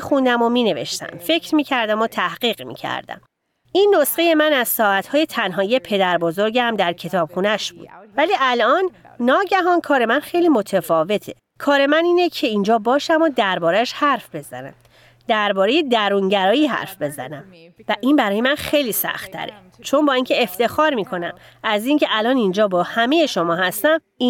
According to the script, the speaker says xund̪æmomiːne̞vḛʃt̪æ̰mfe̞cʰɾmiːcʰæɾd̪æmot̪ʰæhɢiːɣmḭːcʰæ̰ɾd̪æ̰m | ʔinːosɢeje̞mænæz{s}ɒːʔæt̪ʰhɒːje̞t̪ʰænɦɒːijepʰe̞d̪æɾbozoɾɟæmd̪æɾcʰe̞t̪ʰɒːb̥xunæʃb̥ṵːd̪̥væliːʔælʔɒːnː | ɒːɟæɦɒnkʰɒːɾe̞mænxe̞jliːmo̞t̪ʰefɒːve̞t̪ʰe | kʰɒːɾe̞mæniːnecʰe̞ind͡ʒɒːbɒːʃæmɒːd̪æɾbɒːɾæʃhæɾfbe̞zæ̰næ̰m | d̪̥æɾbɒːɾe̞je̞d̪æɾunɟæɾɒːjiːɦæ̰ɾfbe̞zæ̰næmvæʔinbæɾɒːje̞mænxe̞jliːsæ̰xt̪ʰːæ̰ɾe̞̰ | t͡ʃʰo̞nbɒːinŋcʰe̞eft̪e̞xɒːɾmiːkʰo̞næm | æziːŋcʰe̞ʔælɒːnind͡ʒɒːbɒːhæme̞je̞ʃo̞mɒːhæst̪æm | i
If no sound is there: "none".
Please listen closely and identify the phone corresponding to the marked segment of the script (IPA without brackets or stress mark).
s